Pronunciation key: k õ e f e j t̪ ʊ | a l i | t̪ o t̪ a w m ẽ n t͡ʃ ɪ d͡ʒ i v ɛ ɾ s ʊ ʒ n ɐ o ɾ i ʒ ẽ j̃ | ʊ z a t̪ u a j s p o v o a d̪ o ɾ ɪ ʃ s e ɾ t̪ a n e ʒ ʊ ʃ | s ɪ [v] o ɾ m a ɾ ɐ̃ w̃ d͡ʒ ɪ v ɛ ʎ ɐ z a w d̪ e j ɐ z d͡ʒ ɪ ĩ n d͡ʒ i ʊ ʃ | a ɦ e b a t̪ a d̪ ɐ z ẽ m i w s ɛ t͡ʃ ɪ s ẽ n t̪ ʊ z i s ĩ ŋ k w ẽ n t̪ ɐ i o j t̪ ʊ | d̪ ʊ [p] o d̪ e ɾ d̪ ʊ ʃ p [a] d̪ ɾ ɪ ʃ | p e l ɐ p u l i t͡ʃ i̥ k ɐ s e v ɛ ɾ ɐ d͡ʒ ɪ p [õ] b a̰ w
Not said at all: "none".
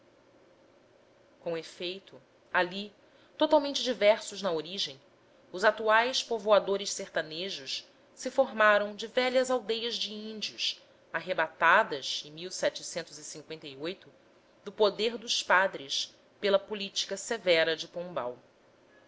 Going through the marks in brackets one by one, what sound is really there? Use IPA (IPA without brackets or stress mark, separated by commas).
f, p, a, õ